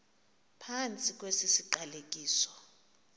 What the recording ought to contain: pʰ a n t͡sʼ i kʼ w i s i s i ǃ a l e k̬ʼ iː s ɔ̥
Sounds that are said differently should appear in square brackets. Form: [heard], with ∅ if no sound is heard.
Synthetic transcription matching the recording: pʰ a n t͡sʼ i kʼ w [e] s i s i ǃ a l e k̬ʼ iː s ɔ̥